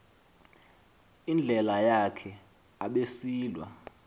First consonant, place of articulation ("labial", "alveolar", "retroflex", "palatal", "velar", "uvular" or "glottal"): alveolar